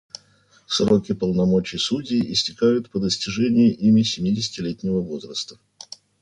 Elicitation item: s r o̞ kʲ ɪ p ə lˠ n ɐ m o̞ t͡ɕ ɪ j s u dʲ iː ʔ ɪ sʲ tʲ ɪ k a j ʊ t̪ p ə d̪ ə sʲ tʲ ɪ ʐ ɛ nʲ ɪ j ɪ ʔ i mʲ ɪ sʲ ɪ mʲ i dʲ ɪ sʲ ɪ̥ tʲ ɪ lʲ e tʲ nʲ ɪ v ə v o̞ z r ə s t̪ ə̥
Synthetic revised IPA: s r o̞ kʲ ɪ p ə lˠ n ɐ m o̞ t͡ɕ ɪ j s u dʲ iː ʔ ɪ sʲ tʲ ɪ k a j ʊ t̪ p ə d̪ ə sʲ tʲ ɪ ʐ ɛ nʲ ɪ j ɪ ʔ i mʲ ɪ sʲ ɪ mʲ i dʲ ɪ sʲ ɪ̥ tʲ ɪ lʲ e tʲ nʲ ɪ v ə v o̞ z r ə s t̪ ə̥